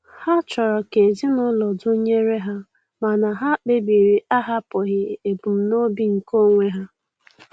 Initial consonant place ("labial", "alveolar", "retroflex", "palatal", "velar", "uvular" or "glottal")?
glottal